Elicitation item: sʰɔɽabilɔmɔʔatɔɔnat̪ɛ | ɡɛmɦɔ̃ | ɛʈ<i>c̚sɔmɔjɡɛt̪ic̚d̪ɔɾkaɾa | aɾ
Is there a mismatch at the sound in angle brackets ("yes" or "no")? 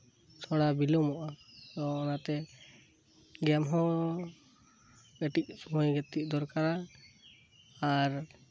no